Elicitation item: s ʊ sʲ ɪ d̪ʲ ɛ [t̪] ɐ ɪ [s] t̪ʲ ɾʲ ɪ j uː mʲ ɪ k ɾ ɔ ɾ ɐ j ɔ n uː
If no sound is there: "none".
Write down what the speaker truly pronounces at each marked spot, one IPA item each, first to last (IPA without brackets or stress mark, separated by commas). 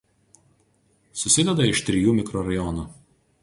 d̪, ʃ